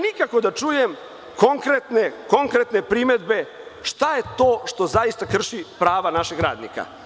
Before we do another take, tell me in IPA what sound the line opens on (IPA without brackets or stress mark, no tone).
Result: n